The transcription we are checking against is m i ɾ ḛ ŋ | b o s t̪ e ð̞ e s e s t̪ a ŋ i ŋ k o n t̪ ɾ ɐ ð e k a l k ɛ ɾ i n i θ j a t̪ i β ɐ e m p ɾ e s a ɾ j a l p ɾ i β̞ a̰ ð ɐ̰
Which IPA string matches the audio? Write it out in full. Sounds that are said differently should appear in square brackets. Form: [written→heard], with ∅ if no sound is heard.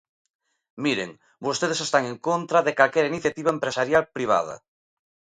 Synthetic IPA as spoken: m i ɾ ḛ ŋ | b o s t̪ e ð̞ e s e s t̪ a ŋ [i→e] ŋ k o n t̪ ɾ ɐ ð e k a l k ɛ ɾ i n i θ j a t̪ i β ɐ e m p ɾ e s a ɾ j a l p ɾ i β̞ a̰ ð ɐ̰

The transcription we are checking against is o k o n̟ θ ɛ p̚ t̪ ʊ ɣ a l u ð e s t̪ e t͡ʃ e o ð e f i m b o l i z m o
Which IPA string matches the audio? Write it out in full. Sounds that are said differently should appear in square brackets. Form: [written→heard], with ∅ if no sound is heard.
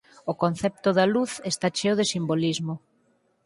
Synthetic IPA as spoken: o k o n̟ θ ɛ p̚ t̪ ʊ [ɣ→ð] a l u [ð→θ] e s t̪ [e→a] t͡ʃ e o ð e [f→s] i m b o l i z m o

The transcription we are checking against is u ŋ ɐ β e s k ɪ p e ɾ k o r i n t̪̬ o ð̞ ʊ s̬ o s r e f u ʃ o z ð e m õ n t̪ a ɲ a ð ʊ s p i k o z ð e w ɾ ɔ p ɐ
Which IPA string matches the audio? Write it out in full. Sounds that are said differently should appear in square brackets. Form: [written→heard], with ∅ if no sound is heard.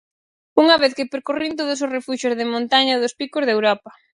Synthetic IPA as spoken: u ŋ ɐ β e [s→θ] k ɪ p e ɾ k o r i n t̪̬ o ð̞ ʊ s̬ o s r e f u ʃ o z ð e m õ n t̪ a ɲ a ð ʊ s p i k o z ð e w ɾ ɔ p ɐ

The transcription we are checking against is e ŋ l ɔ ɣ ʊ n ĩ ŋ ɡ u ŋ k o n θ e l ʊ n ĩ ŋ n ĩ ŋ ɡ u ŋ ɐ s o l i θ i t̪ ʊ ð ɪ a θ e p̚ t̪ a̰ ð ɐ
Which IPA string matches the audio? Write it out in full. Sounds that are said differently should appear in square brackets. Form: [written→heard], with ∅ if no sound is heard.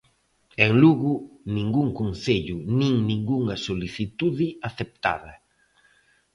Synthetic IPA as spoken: e ŋ l [ɔ→u] ɣ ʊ n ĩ ŋ ɡ u ŋ k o n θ e [l→ʎ] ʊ n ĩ ŋ n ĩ ŋ ɡ u ŋ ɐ s o l i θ i t̪ [ʊ→u] ð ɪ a θ e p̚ t̪ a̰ ð ɐ

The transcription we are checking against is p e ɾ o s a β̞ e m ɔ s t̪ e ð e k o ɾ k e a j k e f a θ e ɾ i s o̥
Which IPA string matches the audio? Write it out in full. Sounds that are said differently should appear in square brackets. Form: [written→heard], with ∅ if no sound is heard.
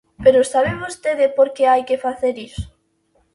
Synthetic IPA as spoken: p e ɾ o s a β̞ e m [ɔ→o] s t̪ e ð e [k→p] o ɾ k e a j k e f a θ e ɾ i s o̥

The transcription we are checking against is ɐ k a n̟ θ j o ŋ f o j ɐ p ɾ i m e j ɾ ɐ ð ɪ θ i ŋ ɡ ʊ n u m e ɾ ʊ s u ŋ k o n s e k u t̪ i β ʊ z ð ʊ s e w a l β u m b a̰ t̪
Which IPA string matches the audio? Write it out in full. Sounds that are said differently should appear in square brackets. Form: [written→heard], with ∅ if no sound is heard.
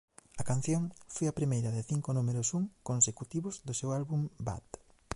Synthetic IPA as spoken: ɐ k a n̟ θ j o ŋ f o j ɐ p ɾ i m e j ɾ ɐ ð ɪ θ i ŋ [ɡ→k] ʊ n u m e ɾ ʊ s u ŋ k o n s e k u t̪ i β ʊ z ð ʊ s e w a l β u m b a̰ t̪

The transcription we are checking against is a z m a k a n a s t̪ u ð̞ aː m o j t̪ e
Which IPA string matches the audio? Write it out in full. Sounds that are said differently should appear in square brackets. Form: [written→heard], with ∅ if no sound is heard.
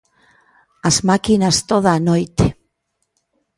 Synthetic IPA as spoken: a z m a k [a→i] n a s t̪ [u→o] ð̞ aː [m→n] o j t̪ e

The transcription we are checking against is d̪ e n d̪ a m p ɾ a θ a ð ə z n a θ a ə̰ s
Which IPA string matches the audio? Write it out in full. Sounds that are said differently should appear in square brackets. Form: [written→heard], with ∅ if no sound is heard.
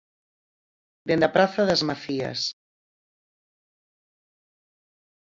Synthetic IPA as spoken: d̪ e n d̪ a [m→∅] p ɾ a θ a ð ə z [n→m] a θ [a→i] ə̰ s

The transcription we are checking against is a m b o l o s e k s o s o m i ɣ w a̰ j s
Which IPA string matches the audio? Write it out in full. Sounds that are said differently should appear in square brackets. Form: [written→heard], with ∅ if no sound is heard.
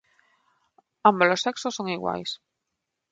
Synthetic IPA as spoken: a m b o l o s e k s o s o [m→ŋ] i ɣ w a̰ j s

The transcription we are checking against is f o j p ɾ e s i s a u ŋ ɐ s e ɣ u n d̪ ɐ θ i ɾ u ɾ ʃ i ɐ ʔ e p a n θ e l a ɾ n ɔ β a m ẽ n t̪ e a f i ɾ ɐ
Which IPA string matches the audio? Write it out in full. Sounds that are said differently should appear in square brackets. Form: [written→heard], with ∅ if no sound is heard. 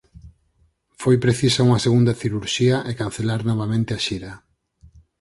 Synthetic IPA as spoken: f o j p ɾ e [s→θ] i s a u ŋ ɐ s e ɣ u n d̪ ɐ θ i ɾ u ɾ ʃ i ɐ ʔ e [p→k] a n θ e l a ɾ n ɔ β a m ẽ n t̪ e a [f→ʃ] i ɾ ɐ

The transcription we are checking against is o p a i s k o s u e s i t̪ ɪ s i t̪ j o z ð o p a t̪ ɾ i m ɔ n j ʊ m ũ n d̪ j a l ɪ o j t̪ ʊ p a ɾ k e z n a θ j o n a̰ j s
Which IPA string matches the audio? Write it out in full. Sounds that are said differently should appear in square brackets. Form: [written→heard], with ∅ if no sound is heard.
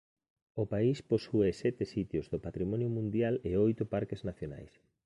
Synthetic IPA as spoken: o p a i s [k→p] o s u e s [i→ɛ] t̪ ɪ s i t̪ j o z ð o p a t̪ ɾ i m ɔ n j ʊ m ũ n d̪ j a l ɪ o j t̪ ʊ p a ɾ k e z n a θ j o n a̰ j s

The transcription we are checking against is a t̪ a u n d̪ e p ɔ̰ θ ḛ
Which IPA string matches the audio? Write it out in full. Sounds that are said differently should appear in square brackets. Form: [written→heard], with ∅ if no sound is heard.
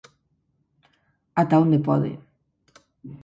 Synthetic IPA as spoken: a t̪ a [u→o] n d̪ e p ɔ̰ [θ→ð] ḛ

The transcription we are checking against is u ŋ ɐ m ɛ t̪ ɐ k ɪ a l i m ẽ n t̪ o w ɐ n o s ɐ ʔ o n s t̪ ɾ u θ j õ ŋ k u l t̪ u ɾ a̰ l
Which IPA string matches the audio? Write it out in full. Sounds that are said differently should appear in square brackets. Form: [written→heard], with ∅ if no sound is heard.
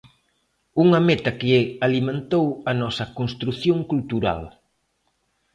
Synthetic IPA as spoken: u ŋ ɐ m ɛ t̪ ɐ k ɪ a l i m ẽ n t̪ o w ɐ n [o→ɔ] s ɐ [ʔ→k] o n s t̪ ɾ u θ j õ ŋ k u l t̪ u ɾ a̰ l

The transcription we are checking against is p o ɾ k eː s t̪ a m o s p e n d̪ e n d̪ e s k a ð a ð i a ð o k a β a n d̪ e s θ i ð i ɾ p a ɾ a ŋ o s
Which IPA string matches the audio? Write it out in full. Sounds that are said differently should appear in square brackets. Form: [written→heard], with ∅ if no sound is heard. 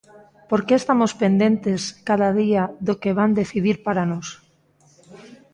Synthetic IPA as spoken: p o ɾ k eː s t̪ a m o s p e n d̪ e n [d̪→t̪] e s k a ð a ð i a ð o k [a→e] β a n d̪ e [s→∅] θ i ð i ɾ p a ɾ a [ŋ→n] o s

